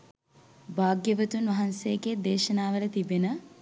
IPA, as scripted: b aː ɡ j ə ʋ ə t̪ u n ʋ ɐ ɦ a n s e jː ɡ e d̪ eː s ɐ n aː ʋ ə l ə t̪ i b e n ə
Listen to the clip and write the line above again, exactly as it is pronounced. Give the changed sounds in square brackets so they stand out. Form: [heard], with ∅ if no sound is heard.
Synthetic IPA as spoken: b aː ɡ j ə ʋ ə t̪ u n ʋ ɐ ɦ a n s e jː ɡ e d̪ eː [ʃ] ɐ n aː ʋ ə l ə t̪ i b e n ə